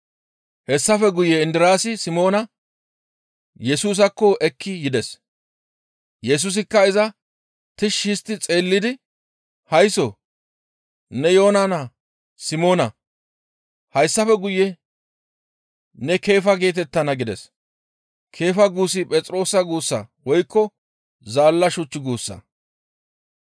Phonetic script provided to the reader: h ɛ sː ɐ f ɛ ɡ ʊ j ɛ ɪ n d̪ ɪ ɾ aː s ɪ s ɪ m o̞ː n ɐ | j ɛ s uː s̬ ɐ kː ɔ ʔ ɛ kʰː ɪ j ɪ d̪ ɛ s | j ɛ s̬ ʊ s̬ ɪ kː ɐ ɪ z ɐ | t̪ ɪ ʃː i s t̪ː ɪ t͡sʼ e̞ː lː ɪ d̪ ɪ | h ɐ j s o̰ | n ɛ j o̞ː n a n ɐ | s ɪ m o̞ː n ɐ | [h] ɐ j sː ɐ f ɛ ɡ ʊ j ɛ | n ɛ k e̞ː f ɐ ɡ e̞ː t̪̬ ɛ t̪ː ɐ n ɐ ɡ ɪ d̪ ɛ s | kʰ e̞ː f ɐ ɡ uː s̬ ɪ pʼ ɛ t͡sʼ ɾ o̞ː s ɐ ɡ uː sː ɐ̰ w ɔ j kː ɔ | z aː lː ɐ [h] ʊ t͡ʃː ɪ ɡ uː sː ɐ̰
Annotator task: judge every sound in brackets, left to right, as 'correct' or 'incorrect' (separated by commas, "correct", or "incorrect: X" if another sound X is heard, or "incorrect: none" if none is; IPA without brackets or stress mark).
correct, incorrect: ʃ